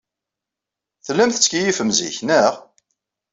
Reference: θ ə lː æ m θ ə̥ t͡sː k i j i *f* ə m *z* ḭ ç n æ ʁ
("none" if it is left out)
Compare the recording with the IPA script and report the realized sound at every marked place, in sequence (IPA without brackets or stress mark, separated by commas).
f, z